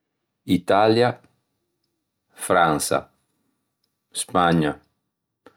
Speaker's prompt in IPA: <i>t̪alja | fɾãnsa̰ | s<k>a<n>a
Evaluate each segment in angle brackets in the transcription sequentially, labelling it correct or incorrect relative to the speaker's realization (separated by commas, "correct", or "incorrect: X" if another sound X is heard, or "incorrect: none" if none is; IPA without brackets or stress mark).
correct, incorrect: p, incorrect: ɲ